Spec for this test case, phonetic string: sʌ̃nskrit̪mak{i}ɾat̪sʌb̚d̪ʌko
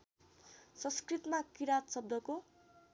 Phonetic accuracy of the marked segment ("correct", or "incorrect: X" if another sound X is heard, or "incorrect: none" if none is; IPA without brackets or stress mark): correct